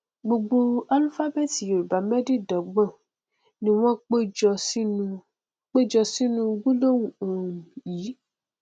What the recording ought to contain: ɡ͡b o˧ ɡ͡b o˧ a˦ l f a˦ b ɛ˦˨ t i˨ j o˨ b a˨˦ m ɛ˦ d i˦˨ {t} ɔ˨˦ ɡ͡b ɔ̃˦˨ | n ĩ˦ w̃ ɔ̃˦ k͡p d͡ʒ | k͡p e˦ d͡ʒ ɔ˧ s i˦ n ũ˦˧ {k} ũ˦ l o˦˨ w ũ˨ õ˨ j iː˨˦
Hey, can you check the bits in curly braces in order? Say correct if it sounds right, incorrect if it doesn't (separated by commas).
incorrect, incorrect